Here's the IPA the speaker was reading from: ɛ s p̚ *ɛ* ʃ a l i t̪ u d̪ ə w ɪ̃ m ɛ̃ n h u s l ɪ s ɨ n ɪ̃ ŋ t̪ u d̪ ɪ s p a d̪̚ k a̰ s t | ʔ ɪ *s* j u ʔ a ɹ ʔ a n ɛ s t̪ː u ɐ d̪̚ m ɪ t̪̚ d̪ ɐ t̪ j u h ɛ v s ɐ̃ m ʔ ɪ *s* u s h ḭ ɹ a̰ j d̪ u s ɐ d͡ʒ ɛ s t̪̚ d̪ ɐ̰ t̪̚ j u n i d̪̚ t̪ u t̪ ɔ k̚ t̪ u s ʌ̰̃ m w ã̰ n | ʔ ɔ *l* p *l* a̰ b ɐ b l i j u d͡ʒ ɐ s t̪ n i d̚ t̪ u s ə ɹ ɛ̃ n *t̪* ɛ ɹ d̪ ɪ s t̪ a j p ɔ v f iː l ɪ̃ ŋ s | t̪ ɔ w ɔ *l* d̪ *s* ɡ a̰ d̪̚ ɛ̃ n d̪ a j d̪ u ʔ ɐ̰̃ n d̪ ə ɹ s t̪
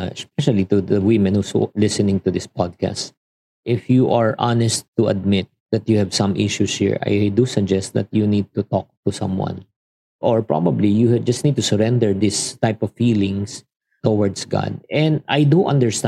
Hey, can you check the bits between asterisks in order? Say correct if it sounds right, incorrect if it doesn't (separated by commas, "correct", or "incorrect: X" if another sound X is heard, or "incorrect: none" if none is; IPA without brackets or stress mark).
correct, incorrect: f, incorrect: ʃ, incorrect: ɹ, incorrect: ɹ, incorrect: d̪, incorrect: ɹ, correct